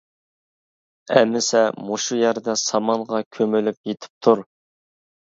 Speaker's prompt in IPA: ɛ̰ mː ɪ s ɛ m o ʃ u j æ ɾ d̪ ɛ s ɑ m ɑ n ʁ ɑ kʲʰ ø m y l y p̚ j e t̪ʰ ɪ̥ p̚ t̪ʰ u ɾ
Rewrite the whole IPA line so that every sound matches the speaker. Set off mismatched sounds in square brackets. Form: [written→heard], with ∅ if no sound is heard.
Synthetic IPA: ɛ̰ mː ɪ s ɛ m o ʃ u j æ ɾ d̪ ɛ s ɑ m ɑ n ʁ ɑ kʲʰ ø m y l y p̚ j e t̪ʰ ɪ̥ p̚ t̪ʰ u ɾ